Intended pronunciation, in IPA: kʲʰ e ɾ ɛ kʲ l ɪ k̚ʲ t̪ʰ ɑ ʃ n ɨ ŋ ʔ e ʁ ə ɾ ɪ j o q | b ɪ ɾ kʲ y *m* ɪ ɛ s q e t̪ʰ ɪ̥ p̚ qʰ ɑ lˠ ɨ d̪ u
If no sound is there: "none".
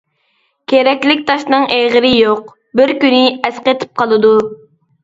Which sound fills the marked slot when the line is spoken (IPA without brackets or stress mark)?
n